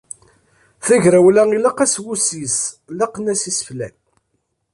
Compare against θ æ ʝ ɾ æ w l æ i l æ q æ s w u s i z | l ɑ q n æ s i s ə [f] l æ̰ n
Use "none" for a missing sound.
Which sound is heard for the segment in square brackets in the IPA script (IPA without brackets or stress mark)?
f